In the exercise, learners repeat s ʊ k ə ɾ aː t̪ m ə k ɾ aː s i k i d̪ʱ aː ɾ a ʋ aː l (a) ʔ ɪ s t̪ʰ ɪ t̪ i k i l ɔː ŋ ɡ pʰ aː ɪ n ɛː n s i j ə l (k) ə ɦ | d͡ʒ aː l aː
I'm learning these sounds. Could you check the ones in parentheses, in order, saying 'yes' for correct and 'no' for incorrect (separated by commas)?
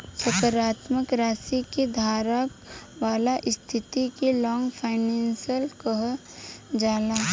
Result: yes, yes